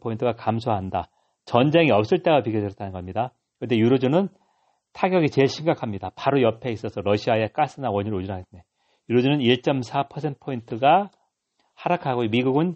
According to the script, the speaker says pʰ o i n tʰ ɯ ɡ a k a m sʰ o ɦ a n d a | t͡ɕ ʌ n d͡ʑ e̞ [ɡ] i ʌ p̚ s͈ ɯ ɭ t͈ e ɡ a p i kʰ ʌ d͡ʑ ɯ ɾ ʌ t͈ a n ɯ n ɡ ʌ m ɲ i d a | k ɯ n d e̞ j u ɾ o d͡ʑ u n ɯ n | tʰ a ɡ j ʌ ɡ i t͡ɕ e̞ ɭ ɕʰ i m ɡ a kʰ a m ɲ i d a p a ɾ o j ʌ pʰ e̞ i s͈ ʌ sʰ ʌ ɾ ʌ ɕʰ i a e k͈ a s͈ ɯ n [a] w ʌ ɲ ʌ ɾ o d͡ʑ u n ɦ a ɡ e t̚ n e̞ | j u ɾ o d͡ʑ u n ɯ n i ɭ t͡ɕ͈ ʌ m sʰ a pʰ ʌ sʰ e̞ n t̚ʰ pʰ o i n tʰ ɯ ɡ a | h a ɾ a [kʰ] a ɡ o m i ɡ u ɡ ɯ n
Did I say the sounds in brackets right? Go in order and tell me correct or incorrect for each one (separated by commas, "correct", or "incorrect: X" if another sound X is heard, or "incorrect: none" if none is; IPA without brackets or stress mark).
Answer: incorrect: ŋ, correct, correct